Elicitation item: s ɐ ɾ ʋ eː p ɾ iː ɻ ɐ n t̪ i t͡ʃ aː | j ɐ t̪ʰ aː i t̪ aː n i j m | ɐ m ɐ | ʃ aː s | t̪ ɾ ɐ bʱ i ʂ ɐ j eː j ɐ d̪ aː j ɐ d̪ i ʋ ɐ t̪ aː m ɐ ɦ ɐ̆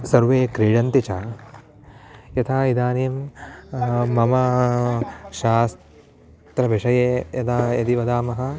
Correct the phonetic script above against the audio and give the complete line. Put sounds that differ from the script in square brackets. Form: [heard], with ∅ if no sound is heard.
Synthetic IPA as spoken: s ɐ ɾ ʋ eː [k] ɾ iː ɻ ɐ n t̪ i t͡ʃ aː | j ɐ t̪ʰ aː i [d̪] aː n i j m | ɐ m ɐ | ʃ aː s | t̪ ɾ ɐ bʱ i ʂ ɐ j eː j ɐ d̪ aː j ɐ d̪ i ʋ ɐ [d̪] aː m ɐ ɦ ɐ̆